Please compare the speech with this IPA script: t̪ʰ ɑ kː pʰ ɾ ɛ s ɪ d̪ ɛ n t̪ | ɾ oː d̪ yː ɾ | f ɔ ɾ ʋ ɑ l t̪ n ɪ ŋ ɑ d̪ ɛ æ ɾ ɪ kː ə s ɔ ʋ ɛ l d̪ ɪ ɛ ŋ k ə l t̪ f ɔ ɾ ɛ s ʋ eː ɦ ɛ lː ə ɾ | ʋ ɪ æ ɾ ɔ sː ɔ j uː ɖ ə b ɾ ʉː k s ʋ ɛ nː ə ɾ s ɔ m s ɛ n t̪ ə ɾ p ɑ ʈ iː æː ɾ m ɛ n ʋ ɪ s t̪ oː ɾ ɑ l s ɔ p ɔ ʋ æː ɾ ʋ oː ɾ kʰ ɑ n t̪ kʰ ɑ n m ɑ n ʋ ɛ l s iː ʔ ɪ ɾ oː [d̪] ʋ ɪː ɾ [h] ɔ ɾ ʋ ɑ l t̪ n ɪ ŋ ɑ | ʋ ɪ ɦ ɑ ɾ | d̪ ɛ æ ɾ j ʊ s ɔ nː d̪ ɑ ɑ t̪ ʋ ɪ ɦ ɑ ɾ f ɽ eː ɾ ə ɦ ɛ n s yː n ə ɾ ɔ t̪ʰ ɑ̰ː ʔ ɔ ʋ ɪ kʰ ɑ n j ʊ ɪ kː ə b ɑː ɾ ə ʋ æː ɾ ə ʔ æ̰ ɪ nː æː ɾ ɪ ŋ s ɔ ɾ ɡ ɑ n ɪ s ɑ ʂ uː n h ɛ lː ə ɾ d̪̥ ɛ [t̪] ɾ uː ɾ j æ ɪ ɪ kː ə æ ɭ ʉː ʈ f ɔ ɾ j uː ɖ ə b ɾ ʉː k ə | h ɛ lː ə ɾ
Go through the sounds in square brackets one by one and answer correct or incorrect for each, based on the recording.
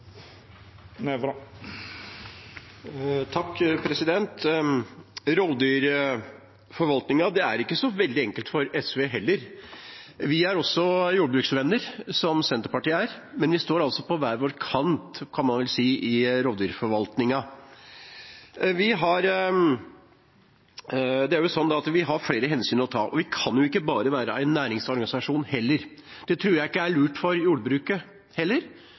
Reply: correct, incorrect: f, incorrect: t̪ʰ

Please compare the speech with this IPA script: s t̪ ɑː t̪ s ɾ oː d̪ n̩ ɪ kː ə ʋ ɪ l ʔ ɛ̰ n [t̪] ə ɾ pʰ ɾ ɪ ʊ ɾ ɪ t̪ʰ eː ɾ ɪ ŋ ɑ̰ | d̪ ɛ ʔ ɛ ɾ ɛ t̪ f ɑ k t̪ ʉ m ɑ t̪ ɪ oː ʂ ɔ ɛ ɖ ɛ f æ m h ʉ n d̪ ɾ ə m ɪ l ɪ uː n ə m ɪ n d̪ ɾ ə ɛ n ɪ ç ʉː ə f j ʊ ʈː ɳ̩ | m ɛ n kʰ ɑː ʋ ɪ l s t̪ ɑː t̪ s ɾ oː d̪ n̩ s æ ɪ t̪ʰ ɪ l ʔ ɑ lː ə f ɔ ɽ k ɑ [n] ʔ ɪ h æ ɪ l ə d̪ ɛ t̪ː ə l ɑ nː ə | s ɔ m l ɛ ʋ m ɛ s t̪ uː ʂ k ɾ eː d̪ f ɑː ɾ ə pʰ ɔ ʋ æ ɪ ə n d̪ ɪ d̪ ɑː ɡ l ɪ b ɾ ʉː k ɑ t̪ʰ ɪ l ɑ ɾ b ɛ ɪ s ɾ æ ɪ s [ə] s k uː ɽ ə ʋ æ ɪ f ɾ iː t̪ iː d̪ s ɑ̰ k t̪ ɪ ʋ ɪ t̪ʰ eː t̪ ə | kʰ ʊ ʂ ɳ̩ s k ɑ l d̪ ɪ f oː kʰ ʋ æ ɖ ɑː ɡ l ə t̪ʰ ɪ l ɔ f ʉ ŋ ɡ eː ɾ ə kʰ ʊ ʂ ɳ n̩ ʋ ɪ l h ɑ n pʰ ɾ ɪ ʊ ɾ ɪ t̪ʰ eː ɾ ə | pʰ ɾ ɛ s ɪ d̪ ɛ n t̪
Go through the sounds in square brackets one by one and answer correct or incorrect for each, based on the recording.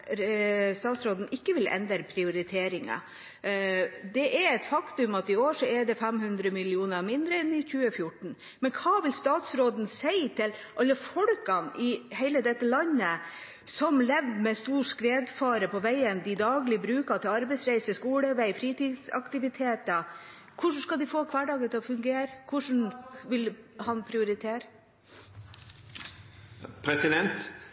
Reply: incorrect: d̪, correct, correct

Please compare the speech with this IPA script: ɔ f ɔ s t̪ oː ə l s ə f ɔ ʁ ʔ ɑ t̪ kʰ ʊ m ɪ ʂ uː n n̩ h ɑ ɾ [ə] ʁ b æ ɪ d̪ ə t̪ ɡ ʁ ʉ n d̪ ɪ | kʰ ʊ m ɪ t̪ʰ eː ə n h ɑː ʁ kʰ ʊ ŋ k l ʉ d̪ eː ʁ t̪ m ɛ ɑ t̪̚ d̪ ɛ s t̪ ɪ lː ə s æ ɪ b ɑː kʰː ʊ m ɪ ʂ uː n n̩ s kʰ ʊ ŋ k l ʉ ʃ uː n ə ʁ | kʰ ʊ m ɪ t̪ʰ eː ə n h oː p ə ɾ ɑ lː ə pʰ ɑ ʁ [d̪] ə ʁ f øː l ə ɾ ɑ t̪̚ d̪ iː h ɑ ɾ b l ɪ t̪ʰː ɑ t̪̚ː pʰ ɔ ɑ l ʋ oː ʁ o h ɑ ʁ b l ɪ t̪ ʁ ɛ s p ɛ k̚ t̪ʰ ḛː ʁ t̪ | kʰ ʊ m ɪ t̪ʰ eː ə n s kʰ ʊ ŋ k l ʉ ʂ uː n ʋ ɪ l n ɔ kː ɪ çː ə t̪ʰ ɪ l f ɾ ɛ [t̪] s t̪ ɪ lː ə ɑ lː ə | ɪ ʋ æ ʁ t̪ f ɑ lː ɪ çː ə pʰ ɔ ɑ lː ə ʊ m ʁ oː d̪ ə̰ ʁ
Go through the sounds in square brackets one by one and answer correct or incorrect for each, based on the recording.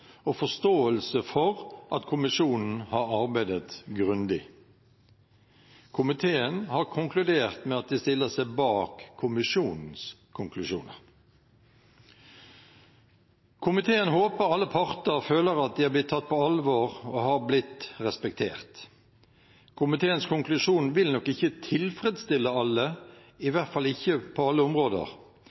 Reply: incorrect: ɑ, incorrect: t̪, incorrect: d̪

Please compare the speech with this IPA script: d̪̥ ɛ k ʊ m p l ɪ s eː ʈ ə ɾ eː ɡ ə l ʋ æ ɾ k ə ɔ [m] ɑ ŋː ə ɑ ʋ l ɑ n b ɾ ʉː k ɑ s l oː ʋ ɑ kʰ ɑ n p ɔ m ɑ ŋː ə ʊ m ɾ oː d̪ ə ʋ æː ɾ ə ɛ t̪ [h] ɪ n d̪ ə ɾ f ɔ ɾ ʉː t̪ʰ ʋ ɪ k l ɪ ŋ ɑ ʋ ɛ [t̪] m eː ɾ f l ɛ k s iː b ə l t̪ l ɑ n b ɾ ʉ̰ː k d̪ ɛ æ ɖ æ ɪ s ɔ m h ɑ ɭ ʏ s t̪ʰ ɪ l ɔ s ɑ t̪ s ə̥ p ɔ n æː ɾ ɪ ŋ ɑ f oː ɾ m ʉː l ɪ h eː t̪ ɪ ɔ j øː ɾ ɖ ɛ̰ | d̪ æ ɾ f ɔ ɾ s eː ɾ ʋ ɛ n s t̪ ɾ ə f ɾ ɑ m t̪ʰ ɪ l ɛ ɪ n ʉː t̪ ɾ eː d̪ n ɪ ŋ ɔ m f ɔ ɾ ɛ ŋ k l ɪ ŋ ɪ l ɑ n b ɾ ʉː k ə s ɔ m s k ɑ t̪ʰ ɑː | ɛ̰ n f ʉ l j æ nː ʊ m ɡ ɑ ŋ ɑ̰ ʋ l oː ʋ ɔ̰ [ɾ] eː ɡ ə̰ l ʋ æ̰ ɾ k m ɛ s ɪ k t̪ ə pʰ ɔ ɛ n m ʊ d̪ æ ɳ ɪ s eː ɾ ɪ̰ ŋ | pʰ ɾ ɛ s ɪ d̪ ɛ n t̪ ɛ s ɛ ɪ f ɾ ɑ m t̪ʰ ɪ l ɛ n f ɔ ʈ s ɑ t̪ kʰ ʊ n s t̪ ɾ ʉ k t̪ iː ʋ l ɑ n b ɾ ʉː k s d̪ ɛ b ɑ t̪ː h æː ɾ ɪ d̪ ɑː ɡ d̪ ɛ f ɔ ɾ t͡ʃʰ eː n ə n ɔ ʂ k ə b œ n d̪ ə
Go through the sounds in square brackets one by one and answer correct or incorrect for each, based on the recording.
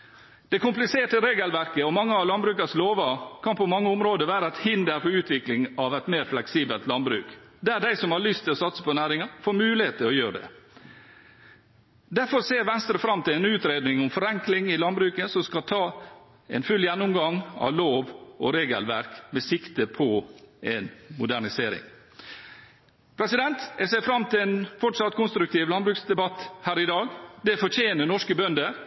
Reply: correct, correct, correct, correct

